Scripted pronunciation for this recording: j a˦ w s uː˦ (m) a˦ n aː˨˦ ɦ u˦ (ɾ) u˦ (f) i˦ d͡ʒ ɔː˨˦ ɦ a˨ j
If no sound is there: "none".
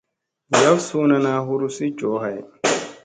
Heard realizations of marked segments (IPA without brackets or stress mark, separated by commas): n, ɾ, s